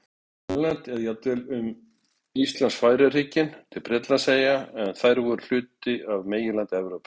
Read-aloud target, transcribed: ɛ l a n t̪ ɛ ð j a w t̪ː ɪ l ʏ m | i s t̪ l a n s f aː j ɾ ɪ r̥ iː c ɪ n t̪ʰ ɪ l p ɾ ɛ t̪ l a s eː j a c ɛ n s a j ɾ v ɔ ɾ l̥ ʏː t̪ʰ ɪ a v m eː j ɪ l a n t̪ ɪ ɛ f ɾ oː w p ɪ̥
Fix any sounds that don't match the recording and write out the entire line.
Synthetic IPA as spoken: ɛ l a n t̪ ɛ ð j a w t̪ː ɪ l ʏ m | i s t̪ l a n s f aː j ɾ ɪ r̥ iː c ɪ n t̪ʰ ɪ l p ɾ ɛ t̪ l a s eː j a ɛ n θ a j ɾ v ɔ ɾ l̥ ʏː t̪ ɪ a v m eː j ɪ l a n t̪ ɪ ɛ v ɾ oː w p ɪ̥